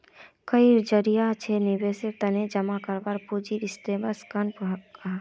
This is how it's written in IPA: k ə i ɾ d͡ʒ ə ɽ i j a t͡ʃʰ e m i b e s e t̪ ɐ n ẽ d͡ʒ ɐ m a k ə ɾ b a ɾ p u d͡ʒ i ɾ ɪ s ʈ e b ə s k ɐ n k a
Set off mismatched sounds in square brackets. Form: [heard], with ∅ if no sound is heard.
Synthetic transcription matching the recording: k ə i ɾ d͡ʒ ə [ɾ] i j a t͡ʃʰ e [n] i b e s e t̪ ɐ n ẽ d͡ʒ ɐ m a k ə ɾ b a ɾ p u d͡ʒ i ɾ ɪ s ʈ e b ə s k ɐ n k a